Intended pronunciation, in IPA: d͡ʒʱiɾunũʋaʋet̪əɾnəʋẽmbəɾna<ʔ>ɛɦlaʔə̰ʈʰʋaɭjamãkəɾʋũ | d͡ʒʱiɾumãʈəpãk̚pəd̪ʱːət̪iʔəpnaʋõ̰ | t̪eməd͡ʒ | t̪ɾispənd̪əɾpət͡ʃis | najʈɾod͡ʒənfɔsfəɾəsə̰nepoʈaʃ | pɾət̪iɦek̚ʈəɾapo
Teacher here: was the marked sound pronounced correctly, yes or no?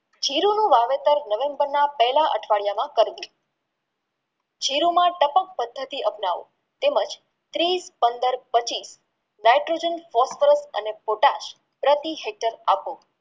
no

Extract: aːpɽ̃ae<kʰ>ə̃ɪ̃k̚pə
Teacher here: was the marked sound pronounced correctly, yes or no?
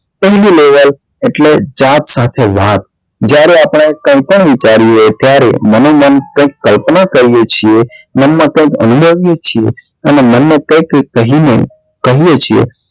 no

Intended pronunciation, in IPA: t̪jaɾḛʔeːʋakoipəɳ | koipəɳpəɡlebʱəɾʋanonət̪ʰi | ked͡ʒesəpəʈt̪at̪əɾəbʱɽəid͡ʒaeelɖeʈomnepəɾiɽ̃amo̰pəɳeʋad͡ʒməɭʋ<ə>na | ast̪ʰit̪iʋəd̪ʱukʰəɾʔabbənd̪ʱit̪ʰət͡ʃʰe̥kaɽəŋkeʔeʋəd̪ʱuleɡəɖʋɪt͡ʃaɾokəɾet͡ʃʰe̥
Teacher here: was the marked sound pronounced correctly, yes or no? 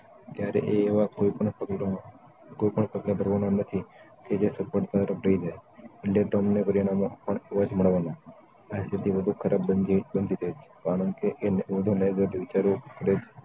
no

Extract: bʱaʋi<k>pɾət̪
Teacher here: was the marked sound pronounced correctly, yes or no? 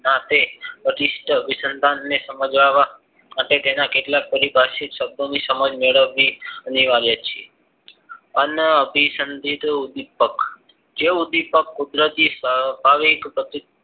yes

